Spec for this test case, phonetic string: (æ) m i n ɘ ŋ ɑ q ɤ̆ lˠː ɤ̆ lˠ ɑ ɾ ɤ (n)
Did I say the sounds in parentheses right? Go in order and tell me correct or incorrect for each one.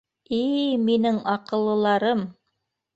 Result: incorrect, incorrect

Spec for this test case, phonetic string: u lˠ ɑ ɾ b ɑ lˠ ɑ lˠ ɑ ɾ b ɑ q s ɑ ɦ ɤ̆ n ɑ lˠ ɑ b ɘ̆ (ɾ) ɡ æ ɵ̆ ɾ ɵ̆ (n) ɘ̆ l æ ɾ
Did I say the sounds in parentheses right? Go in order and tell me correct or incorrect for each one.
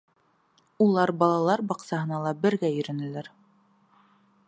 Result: correct, correct

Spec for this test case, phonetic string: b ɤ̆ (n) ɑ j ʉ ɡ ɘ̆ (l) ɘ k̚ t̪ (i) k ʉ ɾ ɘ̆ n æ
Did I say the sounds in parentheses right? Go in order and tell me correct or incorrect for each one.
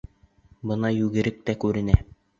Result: correct, incorrect, incorrect

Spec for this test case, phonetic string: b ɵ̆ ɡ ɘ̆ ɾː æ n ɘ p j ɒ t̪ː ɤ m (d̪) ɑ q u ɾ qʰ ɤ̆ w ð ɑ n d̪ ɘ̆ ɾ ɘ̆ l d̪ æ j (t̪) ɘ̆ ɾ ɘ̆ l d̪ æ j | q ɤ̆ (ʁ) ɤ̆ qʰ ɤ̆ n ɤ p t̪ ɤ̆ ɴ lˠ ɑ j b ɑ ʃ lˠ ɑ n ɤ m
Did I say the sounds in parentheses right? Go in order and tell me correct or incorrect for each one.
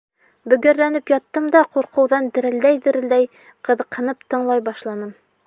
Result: correct, incorrect, incorrect

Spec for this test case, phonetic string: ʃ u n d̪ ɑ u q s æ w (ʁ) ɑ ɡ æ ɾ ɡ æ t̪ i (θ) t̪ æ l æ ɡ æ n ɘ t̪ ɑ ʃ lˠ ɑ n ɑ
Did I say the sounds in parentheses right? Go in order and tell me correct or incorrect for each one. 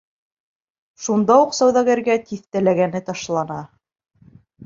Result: incorrect, correct

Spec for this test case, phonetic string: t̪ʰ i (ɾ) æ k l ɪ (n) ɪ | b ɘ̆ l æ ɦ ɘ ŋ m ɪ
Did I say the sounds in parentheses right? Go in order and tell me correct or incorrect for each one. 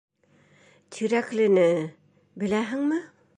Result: correct, correct

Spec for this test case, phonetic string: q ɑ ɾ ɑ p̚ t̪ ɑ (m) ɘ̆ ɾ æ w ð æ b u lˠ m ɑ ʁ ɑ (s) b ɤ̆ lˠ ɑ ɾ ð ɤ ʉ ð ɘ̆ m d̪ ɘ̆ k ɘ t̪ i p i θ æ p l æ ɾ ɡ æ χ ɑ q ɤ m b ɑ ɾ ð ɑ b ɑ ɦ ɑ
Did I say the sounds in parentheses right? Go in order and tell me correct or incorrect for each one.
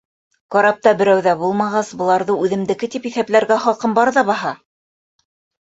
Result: incorrect, correct

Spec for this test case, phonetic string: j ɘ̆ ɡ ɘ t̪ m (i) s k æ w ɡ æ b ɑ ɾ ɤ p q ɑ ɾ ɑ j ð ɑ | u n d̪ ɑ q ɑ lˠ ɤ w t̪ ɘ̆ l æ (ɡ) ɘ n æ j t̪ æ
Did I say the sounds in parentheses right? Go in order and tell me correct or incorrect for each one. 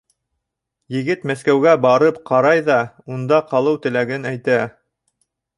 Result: incorrect, correct

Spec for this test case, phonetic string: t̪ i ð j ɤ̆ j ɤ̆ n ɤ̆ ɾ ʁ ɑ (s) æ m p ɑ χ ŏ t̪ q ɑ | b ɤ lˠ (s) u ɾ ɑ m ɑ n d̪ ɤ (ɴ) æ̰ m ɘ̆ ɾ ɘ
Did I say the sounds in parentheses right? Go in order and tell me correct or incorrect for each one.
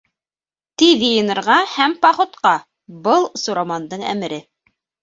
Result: incorrect, correct, correct

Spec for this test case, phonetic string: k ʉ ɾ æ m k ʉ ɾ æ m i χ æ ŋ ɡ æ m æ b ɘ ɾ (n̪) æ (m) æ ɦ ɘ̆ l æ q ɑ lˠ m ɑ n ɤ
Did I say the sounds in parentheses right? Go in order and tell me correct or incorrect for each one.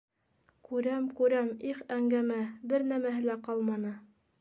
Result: correct, correct

